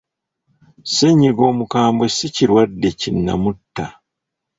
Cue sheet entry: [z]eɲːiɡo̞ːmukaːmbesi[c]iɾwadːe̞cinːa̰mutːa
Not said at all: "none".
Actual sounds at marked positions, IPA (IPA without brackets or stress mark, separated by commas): s, c